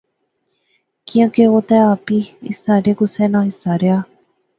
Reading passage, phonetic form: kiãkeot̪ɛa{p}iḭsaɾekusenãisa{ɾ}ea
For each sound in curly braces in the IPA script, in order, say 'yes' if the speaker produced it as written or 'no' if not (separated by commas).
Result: yes, yes